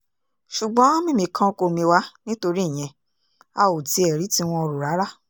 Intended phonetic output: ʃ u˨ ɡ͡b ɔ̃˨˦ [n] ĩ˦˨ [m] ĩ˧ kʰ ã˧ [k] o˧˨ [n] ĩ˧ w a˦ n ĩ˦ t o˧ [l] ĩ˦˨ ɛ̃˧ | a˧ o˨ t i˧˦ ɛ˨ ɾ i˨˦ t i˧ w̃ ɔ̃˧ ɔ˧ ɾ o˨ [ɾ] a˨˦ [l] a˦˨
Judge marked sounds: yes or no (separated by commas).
no, yes, yes, no, no, yes, no